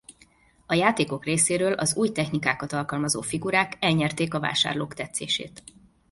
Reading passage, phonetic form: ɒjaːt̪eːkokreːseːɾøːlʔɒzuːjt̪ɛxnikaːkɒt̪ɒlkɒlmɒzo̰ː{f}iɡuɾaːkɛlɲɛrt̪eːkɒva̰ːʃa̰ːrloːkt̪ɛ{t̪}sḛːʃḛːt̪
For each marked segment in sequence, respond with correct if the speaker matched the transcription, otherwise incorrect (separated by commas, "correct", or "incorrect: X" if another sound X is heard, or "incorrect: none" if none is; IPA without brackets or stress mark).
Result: correct, correct